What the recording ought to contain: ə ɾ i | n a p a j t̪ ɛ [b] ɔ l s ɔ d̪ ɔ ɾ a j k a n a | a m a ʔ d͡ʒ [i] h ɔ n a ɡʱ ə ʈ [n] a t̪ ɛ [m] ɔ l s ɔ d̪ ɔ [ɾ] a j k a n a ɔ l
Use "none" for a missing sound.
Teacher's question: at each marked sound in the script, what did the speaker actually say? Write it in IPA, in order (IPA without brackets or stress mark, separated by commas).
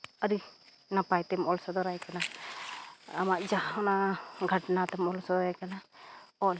m, a, n, m, ɾ